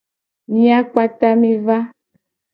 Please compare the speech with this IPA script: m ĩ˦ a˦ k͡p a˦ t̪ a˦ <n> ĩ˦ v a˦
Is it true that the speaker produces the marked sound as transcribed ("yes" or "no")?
no